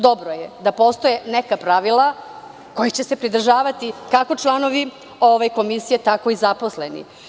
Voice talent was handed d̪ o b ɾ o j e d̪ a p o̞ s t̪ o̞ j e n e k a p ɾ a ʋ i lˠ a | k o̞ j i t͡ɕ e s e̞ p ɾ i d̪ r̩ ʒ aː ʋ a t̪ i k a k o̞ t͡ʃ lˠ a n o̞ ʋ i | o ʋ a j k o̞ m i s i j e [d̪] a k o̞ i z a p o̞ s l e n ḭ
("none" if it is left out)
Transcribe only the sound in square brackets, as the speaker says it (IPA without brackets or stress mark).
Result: t̪